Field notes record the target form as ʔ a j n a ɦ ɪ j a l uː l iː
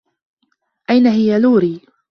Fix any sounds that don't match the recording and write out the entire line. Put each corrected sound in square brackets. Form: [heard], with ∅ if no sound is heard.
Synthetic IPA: ʔ a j n a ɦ ɪ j a l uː [ɾ] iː